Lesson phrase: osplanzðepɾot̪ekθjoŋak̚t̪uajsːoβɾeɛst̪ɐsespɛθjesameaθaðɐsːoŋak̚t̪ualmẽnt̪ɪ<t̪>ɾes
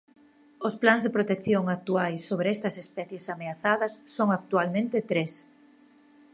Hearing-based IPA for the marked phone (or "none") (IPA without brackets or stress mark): t̪